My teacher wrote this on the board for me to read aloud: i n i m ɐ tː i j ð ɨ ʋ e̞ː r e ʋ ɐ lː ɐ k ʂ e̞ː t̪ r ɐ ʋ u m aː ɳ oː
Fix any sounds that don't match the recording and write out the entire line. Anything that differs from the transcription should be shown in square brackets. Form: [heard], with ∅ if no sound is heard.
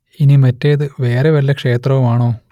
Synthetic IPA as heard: i n i m ɐ tː [e] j ð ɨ ʋ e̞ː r e ʋ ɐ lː ɐ k ʂ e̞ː t̪ r ɐ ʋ u m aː ɳ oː